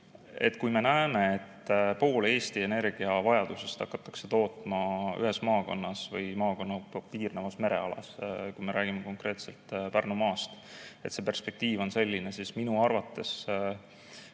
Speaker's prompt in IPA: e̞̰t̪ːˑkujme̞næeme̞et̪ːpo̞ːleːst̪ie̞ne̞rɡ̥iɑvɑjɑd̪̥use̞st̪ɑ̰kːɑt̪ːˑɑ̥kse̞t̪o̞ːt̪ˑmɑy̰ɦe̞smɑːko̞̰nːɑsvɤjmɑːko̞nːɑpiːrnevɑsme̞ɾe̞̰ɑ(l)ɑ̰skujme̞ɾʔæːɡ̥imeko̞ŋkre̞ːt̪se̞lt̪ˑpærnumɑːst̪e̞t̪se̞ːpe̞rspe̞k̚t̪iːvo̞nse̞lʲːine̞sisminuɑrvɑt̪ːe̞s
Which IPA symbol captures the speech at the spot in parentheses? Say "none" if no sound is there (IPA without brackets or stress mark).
l